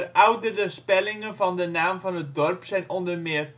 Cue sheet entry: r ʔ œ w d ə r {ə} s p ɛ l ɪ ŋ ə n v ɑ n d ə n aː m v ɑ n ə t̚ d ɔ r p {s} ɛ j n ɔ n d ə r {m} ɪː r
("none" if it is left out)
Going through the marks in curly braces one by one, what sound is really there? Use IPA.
ə, s, m

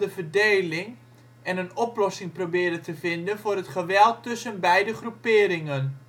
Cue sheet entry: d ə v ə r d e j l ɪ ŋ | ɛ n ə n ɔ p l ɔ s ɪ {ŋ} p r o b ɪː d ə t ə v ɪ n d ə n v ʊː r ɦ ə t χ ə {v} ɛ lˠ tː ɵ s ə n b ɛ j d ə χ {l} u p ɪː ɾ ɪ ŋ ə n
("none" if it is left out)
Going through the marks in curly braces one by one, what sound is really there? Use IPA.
ŋ, ʋ, r

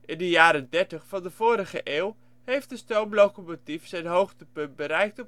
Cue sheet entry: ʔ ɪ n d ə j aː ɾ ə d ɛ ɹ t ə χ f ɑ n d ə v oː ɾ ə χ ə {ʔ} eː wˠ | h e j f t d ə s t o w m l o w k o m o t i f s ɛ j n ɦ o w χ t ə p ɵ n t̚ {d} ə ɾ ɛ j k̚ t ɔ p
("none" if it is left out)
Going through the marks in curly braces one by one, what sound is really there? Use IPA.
ʔ, b

